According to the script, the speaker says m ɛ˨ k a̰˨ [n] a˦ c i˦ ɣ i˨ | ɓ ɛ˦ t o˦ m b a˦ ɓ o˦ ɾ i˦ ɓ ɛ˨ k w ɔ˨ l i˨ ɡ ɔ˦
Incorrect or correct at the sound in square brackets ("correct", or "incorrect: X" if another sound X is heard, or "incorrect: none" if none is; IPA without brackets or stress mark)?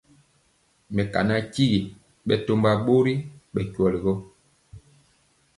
correct